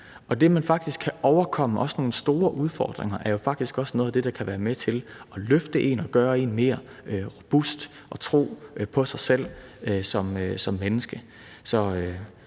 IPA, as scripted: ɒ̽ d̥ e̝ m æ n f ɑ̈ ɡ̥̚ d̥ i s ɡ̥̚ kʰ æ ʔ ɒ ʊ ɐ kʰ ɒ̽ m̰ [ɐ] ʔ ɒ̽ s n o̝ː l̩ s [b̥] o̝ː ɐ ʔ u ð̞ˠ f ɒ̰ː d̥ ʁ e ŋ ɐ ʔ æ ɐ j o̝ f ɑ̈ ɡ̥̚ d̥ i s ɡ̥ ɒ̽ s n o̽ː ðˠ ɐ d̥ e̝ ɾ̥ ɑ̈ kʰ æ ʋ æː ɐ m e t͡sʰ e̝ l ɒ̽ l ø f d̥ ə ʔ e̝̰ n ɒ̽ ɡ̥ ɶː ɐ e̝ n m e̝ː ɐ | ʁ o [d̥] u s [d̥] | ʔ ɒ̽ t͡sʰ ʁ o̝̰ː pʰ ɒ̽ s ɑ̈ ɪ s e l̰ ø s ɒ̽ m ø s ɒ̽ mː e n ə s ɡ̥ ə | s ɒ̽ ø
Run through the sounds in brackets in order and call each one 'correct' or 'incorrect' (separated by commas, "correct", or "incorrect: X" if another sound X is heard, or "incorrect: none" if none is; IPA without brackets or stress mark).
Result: incorrect: ə, incorrect: d̥, incorrect: b̥, correct